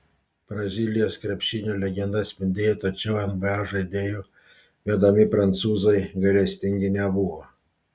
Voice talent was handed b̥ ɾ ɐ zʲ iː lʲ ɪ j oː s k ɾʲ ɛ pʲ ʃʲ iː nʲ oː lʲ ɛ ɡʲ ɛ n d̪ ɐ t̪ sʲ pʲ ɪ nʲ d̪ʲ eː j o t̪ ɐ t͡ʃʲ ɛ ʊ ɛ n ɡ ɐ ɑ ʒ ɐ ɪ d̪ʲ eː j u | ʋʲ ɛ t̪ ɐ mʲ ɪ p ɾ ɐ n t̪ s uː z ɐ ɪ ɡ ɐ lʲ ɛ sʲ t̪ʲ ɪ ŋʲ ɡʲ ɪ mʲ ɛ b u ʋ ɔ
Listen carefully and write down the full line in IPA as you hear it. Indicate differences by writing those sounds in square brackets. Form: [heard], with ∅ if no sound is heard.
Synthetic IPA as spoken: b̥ ɾ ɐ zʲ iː lʲ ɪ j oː s k ɾʲ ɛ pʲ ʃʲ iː nʲ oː lʲ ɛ ɡʲ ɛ n d̪ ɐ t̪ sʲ pʲ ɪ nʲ d̪ʲ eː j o t̪ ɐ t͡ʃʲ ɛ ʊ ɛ n [b] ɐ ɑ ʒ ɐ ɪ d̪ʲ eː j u | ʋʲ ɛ [d̪] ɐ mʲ ɪ p ɾ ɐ n t̪ s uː z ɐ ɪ ɡ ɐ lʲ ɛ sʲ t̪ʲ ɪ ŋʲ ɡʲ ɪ [nʲ] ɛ b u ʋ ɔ

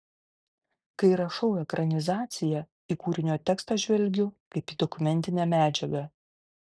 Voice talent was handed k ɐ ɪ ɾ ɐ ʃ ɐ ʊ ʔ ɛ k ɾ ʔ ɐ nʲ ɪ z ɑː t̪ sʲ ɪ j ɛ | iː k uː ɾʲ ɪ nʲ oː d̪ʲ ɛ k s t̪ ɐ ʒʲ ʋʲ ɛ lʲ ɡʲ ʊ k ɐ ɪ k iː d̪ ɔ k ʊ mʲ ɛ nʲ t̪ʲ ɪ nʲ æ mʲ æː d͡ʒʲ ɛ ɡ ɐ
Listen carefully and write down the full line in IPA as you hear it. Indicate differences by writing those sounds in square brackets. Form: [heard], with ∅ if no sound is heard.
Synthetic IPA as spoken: k ɐ ɪ ɾ ɐ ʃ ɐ ʊ [∅] ɛ k ɾ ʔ ɐ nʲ ɪ z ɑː t̪ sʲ ɪ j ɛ | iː k uː ɾʲ ɪ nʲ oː [t̪ʲ] ɛ k s t̪ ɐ ʒʲ ʋʲ ɛ lʲ ɡʲ ʊ k ɐ ɪ [p] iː d̪ ɔ k ʊ mʲ ɛ nʲ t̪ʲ ɪ nʲ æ mʲ æː d͡ʒʲ ɛ ɡ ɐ

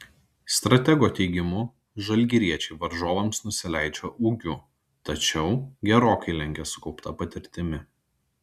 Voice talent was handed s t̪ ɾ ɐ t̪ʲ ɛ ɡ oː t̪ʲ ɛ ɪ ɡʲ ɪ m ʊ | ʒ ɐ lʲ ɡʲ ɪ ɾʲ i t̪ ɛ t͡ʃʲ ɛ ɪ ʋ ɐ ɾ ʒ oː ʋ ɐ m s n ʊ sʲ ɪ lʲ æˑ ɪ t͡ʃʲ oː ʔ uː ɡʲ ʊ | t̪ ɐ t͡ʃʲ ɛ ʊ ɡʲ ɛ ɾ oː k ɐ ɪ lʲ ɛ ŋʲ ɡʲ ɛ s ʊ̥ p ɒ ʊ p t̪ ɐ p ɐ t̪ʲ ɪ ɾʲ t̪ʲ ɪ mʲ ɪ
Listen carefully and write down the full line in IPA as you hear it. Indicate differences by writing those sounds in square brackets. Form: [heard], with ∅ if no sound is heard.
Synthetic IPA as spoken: s t̪ ɾ ɐ t̪ʲ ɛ ɡ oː t̪ʲ ɛ ɪ ɡʲ ɪ m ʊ | ʒ ɐ lʲ ɡʲ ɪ ɾʲ i [∅] ɛ t͡ʃʲ ɛ ɪ ʋ ɐ ɾ ʒ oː ʋ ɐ m s n ʊ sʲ ɪ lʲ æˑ ɪ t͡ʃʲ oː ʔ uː ɡʲ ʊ | t̪ ɐ t͡ʃʲ ɛ ʊ ɡʲ ɛ ɾ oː k ɐ ɪ lʲ ɛ ŋʲ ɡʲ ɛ s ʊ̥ [k] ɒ ʊ p t̪ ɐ p ɐ t̪ʲ ɪ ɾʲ t̪ʲ ɪ mʲ ɪ

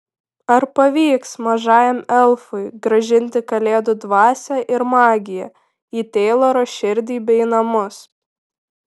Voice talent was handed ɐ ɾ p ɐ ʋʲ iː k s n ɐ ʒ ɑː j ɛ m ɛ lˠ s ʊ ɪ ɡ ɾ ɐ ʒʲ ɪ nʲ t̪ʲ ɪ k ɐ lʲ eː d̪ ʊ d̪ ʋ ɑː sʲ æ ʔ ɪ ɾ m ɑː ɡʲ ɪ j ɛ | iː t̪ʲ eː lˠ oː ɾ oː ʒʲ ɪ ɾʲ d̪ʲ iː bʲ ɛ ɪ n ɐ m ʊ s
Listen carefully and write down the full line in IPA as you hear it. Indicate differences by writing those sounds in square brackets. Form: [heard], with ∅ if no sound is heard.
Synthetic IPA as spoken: ɐ ɾ p ɐ ʋʲ iː k s [m] ɐ ʒ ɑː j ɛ m ɛ lˠ [f] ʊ ɪ ɡ ɾ ɐ ʒʲ ɪ nʲ t̪ʲ ɪ k ɐ lʲ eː d̪ ʊ d̪ ʋ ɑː sʲ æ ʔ ɪ ɾ m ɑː ɡʲ ɪ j ɛ | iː t̪ʲ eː lˠ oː ɾ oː [ʃʲ] ɪ ɾʲ d̪ʲ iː bʲ ɛ ɪ n ɐ m ʊ s

